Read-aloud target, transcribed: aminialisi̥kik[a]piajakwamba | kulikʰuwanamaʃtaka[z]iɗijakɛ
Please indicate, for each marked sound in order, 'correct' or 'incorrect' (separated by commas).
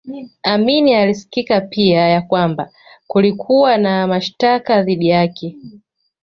correct, incorrect